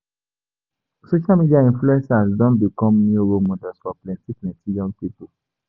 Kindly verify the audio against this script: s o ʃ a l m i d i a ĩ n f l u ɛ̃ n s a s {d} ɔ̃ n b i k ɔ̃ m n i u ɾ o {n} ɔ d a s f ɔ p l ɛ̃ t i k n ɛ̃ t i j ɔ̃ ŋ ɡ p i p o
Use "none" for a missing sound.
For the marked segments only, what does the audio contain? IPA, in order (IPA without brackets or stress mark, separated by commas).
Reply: d, m